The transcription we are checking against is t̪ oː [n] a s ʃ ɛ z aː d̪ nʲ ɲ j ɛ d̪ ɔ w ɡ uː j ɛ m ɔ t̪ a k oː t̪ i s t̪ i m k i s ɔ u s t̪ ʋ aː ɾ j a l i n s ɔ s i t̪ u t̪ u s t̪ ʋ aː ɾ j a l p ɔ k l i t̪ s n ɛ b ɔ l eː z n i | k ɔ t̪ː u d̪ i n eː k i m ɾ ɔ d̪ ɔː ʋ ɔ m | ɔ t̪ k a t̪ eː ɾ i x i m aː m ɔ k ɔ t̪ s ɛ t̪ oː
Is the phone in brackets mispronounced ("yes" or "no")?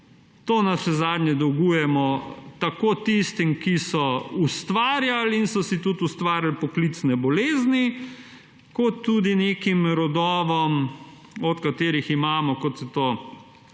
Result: no